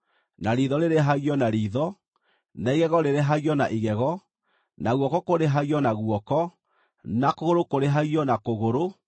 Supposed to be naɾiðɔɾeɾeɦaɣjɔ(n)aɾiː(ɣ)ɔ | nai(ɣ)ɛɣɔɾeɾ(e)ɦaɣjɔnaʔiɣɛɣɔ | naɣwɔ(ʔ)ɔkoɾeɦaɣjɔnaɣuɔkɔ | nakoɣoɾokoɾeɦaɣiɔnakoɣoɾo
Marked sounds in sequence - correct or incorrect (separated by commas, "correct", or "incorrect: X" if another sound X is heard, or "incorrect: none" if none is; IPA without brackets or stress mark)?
correct, incorrect: ð, correct, correct, incorrect: k